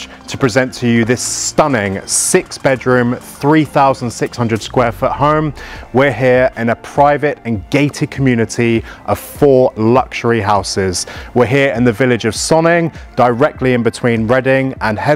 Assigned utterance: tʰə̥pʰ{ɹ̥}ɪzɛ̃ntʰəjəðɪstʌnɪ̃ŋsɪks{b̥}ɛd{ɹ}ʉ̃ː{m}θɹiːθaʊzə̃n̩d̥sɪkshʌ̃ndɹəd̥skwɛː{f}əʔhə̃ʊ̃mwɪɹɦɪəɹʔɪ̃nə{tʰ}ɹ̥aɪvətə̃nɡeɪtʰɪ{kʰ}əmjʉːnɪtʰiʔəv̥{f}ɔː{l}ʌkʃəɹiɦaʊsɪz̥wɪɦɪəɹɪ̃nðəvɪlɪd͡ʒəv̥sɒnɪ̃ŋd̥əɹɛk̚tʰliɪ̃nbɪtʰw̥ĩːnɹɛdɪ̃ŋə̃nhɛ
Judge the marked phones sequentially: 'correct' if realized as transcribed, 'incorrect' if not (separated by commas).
correct, correct, correct, correct, correct, incorrect, correct, correct, correct